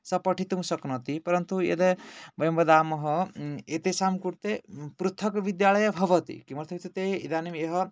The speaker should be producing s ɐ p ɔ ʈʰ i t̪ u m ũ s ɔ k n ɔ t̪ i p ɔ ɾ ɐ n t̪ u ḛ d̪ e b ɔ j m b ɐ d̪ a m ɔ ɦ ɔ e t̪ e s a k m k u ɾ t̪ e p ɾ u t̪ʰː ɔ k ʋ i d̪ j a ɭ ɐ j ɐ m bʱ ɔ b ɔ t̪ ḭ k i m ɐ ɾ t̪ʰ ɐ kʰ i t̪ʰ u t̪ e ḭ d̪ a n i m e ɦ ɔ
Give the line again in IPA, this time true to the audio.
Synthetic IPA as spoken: s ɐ p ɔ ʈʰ i t̪ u m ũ s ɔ k n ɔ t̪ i p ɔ ɾ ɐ n t̪ u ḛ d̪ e b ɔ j m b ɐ d̪ a m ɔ ɦ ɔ e t̪ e s a m k u ɾ t̪ e p ɾ u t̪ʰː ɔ k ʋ i d̪ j a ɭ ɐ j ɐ bʱ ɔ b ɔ t̪ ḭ k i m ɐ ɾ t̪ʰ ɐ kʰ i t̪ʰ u t̪ e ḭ d̪ a n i m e ɦ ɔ